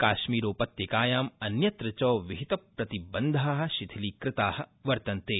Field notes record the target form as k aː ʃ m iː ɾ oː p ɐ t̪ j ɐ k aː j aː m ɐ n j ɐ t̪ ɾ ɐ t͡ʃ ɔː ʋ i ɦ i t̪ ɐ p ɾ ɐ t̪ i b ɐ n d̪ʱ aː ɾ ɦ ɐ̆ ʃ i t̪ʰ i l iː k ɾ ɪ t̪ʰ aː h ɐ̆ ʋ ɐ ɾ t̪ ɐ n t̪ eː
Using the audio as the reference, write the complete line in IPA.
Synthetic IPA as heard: k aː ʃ m iː ɾ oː p ɐ t̪ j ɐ k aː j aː m ɐ n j ɐ t̪ ɾ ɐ t͡ʃ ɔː ʋ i ɦ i t̪ ɐ p ɾ ɐ t̪ i b ɐ n d̪ʱ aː ɦ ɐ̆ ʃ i t̪ʰ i l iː k ɾ ɪ t̪ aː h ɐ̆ ʋ ɐ ɾ t̪ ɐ n t̪ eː